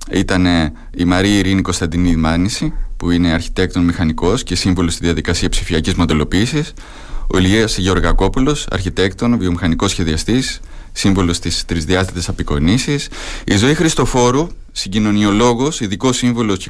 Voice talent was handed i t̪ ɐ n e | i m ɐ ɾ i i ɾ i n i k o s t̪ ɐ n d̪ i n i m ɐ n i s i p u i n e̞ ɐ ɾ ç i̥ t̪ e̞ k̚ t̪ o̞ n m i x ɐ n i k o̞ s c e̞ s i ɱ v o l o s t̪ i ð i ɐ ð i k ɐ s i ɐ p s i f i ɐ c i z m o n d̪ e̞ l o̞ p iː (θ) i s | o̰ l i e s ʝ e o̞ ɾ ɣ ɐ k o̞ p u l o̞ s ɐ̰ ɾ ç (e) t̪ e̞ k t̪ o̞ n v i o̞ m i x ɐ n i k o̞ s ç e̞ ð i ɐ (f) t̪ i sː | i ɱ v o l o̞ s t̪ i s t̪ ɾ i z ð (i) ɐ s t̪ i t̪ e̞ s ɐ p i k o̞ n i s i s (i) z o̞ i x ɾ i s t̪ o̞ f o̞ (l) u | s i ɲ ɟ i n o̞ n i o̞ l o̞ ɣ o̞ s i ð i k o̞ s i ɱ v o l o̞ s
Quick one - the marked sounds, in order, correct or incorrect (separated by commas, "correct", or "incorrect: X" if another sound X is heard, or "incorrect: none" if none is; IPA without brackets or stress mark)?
incorrect: s, incorrect: i, incorrect: s, correct, correct, incorrect: ɾ